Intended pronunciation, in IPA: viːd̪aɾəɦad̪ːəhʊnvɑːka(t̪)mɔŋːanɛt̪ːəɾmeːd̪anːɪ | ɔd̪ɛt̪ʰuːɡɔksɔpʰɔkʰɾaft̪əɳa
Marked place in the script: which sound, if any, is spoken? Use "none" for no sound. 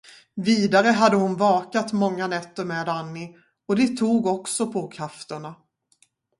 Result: t̪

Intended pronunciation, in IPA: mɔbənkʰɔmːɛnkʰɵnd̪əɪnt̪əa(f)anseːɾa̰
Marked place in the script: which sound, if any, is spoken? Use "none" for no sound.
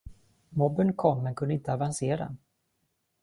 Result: v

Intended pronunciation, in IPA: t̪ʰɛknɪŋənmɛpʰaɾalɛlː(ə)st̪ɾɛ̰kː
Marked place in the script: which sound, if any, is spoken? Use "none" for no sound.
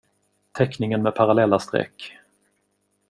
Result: a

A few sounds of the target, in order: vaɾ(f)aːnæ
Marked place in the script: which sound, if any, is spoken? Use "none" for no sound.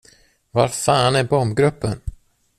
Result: f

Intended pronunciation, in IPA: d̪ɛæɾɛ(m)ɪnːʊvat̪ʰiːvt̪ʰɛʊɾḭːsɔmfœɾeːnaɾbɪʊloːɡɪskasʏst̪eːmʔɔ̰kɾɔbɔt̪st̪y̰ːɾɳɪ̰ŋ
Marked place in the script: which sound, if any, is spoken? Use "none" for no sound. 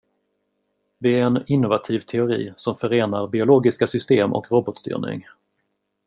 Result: n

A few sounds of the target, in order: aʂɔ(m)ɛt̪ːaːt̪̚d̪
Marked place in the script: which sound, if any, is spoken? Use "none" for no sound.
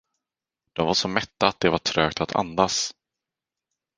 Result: m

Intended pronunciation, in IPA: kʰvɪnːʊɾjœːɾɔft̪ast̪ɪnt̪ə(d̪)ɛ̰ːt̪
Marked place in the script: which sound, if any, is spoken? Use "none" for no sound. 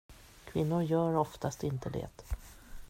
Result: d̪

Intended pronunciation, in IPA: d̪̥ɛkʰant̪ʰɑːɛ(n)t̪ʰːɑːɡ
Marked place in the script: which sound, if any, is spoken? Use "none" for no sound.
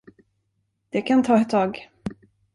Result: none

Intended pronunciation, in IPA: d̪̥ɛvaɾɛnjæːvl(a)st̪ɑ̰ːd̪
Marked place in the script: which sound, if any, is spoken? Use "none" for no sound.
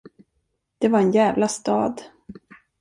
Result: a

